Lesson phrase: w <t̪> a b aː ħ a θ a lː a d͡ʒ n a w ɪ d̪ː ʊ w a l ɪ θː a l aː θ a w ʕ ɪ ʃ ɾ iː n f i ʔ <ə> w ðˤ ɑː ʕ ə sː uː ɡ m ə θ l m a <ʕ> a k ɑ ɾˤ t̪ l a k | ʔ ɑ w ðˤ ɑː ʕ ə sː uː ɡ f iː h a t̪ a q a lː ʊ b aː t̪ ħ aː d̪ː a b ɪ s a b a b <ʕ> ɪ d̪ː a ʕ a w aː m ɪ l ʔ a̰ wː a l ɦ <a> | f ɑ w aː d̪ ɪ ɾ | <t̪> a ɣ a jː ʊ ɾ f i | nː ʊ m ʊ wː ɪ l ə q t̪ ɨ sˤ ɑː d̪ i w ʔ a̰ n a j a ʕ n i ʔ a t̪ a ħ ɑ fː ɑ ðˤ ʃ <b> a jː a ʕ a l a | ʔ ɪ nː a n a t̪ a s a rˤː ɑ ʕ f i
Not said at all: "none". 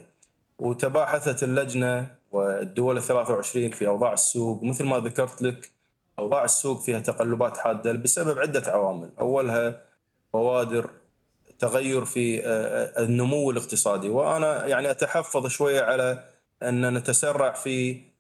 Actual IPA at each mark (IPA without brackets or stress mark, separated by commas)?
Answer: t̪, ɑ, ð, ʕ, a, t̪, w